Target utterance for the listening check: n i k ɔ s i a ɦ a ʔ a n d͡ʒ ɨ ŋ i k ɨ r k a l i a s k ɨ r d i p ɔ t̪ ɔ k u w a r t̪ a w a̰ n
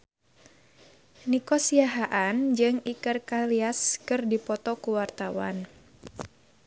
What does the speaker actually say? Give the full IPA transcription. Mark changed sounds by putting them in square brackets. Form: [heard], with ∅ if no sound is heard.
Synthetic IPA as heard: n i k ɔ s i a ɦ a ʔ a n d͡ʒ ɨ ŋ i k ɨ r k a l i a s k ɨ r d i p ɔ t̪ ɔ k u w a r t̪ a w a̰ n

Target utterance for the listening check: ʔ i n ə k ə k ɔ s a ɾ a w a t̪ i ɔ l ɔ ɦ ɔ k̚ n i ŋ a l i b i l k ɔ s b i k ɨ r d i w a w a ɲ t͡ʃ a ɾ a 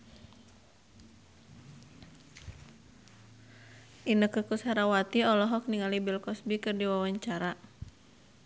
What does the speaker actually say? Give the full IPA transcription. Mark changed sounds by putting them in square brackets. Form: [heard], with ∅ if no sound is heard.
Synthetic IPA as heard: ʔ i n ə k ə k [u] s a ɾ a w a t̪ i ɔ l ɔ ɦ ɔ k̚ n i ŋ a l i b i l k ɔ s b i k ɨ r d i w a w a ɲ t͡ʃ a ɾ a

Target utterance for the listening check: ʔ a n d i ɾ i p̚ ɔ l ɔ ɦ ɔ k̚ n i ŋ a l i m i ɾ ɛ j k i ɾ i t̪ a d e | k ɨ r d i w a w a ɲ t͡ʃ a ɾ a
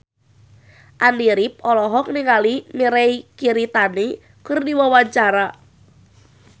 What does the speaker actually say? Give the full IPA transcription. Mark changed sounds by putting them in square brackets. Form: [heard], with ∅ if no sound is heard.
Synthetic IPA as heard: ʔ a n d i ɾ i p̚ ɔ l ɔ ɦ ɔ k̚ n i ŋ a l i m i ɾ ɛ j k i ɾ i t̪ a [n] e | k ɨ r d i w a w a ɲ t͡ʃ a ɾ a

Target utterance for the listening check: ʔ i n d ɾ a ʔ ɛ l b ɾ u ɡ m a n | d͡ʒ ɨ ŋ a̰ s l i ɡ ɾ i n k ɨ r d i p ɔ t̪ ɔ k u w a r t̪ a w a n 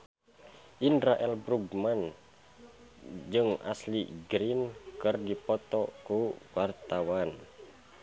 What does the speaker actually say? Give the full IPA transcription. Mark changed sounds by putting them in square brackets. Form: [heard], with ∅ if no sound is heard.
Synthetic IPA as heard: ʔ i n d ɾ a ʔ ɛ l b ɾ u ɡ m a n | d͡ʒ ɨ ŋ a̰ s l i ɡ ɾ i n k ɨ r d i p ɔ t̪ ɔ k u w a r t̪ a w a n

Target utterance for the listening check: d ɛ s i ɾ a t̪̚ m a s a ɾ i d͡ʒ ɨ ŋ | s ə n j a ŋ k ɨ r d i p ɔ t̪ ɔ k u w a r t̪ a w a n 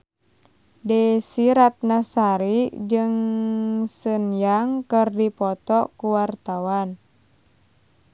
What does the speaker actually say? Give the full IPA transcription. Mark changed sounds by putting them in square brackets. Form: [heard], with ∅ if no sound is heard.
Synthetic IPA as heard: d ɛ s i ɾ a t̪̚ [n] a s a ɾ i d͡ʒ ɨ ŋ | s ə n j a ŋ k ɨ r d i p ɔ t̪ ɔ k u w a r t̪ a w a n

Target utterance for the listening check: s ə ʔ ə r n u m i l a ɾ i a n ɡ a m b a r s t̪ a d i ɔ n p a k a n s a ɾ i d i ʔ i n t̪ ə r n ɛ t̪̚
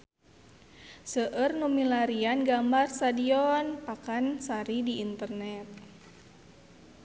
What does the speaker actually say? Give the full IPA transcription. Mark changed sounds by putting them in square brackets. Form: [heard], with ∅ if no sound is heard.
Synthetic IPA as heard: s ə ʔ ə r n u m i l a ɾ i a n ɡ a m b a r s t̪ a d i ɔ n p a k a n s a ɾ i d i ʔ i n t̪ ə r n ɛ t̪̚

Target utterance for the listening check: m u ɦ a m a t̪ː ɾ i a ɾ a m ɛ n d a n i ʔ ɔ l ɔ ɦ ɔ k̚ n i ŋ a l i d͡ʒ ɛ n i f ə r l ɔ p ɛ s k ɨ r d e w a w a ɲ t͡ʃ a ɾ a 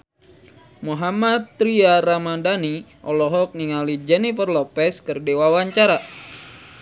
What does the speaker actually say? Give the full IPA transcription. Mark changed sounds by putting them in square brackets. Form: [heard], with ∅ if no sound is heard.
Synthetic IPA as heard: m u ɦ a m a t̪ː ɾ i a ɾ a m [a] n d a n i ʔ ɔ l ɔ ɦ ɔ k̚ n i ŋ a l i d͡ʒ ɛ n i f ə r l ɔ p ɛ s k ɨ r d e w a w a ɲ t͡ʃ a ɾ a

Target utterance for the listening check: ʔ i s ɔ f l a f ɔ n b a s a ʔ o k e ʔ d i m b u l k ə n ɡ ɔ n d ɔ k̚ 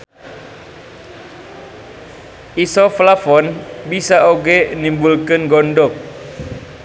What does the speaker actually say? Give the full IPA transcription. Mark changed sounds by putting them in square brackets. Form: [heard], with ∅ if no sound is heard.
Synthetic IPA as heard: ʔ i s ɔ f l a f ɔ n b [i] s a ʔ o [ɡ] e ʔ [n] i m b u l k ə n ɡ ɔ n d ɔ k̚

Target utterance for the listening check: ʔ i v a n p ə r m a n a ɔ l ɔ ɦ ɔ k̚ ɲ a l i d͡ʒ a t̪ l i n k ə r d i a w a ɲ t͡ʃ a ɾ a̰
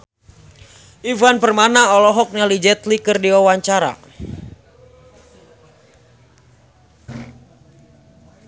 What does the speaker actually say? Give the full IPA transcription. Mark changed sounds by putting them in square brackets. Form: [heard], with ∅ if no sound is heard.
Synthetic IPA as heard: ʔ i v a n p ə r m a n a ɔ l ɔ ɦ ɔ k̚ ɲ a l i d͡ʒ [ɛ] t̪ l i [∅] k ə r d i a w a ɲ t͡ʃ a ɾ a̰

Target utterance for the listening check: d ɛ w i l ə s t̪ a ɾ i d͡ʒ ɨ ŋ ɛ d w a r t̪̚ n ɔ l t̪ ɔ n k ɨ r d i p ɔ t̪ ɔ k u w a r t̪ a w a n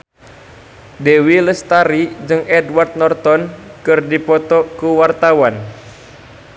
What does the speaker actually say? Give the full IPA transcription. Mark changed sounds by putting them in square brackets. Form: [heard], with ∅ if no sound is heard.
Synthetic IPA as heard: d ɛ w i l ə s t̪ a ɾ i d͡ʒ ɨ ŋ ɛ d w a r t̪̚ n ɔ [r] t̪ ɔ n k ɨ r d i p ɔ t̪ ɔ k u w a r t̪ a w a n

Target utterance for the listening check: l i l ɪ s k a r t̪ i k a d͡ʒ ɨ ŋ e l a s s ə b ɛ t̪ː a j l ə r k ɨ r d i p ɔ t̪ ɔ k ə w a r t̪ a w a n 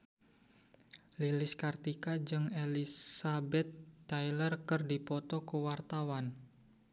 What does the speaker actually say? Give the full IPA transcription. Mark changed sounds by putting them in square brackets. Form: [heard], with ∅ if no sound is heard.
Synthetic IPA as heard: l i l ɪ s k a r t̪ i k a d͡ʒ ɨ ŋ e l [i] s s [a] b ɛ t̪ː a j l ə r k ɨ r d i p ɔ t̪ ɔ k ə w a r t̪ a w a n

